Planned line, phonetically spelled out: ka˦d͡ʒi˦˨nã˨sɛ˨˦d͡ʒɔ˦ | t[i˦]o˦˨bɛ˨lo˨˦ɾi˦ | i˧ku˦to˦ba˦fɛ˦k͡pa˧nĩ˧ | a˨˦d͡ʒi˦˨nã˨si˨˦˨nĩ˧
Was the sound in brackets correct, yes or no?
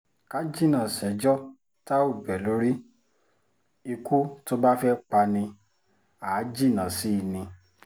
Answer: no